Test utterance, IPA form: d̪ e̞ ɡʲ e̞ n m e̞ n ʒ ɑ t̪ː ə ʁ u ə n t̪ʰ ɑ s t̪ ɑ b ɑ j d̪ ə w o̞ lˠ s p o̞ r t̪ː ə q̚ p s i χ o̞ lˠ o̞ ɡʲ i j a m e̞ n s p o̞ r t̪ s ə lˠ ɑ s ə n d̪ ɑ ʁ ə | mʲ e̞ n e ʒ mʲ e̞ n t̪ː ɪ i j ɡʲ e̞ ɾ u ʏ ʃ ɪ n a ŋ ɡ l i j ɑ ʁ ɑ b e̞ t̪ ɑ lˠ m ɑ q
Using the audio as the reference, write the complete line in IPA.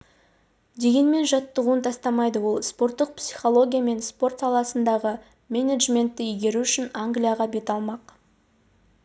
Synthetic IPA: d̪ e̞ ɡʲ e̞ n m e̞ n ʒ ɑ t̪ː ə ʁ u ə n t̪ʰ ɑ s t̪ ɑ m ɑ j d̪ ə w o̞ lˠ s p o̞ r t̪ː ə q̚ p s i χ o̞ lˠ o̞ ɡʲ i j a m e̞ n s p o̞ r t̪ s ɑ lˠ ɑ s ə n d̪ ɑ ʁ ə | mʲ e̞ n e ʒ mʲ e̞ n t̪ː ɪ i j ɡʲ e̞ ɾ u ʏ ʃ ɪ n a ŋ ɡ l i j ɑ ʁ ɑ b e̞ t̪ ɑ lˠ m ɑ q